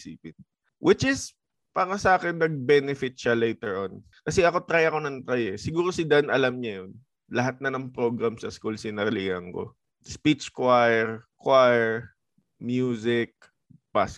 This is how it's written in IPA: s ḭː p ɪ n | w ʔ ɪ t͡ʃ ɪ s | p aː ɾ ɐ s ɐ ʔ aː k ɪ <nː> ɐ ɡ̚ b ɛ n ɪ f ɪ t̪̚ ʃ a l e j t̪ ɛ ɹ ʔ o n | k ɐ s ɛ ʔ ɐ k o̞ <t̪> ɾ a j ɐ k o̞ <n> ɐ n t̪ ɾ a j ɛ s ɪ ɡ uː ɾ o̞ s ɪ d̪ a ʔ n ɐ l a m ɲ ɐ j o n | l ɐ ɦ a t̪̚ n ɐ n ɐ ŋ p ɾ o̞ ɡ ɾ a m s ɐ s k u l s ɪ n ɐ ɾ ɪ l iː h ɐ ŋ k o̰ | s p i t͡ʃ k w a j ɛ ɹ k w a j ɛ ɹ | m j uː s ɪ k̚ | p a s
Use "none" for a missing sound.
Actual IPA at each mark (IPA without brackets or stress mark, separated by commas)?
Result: nː, t̪, n